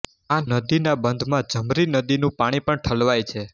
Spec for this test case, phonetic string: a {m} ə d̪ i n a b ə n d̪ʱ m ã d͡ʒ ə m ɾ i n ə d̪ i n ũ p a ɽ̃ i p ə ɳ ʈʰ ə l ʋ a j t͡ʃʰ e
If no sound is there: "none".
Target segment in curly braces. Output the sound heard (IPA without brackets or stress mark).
n